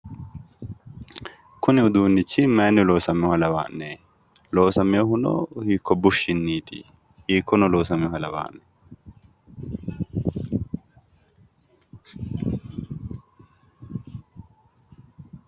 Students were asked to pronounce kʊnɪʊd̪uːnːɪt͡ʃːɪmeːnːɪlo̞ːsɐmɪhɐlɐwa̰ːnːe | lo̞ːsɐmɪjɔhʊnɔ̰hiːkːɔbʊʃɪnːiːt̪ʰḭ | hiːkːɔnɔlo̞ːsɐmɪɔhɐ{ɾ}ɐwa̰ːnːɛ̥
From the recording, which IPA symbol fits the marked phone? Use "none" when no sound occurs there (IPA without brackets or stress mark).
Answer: l